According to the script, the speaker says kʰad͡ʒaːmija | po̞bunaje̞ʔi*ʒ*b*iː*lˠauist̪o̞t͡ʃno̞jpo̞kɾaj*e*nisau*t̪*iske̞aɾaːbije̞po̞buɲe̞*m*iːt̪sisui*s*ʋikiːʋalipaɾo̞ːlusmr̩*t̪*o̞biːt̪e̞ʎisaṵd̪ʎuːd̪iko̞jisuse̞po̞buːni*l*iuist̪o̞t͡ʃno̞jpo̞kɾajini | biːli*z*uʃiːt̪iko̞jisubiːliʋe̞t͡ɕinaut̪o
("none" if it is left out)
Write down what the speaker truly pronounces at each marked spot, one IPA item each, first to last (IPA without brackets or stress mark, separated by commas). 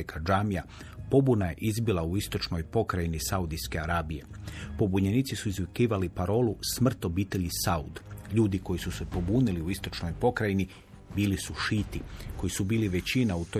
z, i, i, d̪, n, z, t̪, l, s